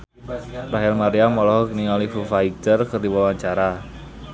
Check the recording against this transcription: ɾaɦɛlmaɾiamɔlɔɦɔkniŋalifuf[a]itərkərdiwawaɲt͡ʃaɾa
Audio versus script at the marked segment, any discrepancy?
no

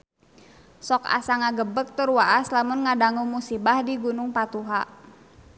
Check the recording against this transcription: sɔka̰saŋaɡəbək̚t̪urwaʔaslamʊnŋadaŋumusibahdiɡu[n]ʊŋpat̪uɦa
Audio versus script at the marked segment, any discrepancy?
no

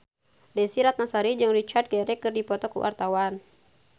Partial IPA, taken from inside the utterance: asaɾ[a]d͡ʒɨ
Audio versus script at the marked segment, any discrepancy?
yes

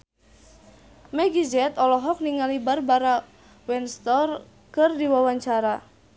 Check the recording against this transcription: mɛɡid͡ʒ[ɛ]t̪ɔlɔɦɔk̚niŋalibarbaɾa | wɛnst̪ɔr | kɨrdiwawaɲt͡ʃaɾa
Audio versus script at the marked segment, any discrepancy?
no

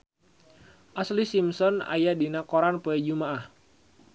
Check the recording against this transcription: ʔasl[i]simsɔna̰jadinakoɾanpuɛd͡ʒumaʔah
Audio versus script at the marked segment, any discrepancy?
no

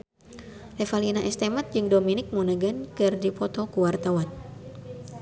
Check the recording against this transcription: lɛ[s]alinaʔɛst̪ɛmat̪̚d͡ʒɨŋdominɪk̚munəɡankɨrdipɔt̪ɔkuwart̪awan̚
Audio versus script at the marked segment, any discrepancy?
yes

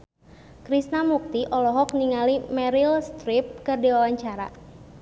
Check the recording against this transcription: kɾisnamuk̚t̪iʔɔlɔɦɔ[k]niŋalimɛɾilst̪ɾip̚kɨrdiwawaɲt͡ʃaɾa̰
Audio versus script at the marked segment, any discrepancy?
no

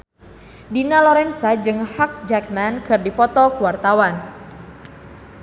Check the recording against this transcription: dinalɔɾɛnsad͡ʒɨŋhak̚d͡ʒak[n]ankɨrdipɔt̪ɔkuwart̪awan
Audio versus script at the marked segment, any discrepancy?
yes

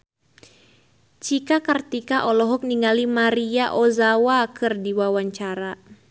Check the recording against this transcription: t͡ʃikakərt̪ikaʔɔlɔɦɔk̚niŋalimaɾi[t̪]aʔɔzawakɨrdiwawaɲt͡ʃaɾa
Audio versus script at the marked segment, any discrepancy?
yes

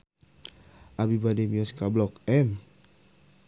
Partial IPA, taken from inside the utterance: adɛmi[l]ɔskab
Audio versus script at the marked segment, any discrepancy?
yes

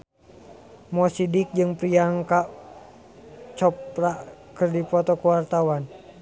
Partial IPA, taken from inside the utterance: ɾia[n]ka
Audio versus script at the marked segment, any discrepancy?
yes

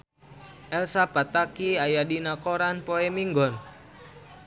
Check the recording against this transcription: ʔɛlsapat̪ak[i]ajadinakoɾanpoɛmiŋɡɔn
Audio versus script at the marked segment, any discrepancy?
no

